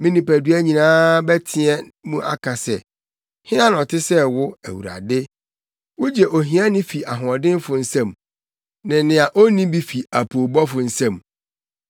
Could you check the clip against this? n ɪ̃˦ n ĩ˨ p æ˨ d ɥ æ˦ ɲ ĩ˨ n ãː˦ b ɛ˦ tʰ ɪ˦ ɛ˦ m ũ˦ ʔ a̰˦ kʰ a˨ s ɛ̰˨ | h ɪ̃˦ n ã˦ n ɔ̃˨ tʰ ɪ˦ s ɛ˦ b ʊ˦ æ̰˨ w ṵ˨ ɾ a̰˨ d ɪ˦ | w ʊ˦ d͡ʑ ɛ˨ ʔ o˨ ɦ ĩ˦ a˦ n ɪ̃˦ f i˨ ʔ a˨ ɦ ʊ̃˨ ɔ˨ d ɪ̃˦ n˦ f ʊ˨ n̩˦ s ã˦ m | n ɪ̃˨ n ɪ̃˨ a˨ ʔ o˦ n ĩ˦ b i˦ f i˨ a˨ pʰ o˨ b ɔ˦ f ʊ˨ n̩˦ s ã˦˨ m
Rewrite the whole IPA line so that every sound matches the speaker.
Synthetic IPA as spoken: m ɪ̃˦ n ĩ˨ p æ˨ d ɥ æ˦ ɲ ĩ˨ n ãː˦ b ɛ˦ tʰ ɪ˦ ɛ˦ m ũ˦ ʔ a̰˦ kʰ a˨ s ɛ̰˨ | h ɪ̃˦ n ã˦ n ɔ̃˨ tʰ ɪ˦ s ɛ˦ w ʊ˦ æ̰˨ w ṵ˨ ɾ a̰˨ d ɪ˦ | w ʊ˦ d͡ʑ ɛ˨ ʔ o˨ ɦ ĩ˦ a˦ n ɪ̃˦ f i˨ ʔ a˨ ɦ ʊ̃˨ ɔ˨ d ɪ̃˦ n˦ f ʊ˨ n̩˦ s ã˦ m | n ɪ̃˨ n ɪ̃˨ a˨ ʔ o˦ n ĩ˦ b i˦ f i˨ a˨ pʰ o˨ b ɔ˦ f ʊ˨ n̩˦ s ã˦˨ m